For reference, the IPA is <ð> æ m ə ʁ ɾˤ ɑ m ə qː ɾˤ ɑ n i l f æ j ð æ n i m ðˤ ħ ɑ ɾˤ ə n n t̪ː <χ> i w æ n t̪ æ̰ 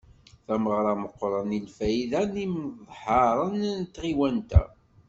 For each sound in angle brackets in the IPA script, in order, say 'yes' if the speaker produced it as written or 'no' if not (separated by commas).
no, no